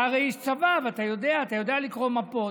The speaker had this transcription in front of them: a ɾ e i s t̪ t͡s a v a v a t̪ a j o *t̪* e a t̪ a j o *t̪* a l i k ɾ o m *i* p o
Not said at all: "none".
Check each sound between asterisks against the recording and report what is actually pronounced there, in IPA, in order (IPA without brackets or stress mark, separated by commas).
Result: d̪, d̪, a